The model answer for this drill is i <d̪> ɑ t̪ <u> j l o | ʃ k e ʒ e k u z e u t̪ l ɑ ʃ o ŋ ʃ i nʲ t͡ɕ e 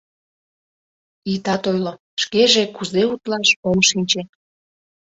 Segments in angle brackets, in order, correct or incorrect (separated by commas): incorrect, incorrect